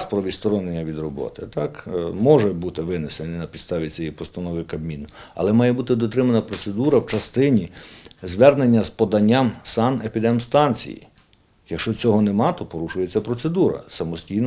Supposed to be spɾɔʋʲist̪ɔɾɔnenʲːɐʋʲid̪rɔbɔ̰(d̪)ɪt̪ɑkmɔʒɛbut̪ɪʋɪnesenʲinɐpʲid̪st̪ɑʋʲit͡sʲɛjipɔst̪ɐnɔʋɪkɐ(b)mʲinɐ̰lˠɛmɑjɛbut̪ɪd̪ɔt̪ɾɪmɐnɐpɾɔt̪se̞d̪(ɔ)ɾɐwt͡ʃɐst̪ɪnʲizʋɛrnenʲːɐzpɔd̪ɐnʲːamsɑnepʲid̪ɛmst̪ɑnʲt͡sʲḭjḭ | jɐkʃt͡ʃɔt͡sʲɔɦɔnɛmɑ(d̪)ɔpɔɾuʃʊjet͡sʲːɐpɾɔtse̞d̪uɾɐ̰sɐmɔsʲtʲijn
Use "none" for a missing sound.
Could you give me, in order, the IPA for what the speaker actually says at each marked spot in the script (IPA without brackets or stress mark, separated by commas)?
t̪, b, u, t̪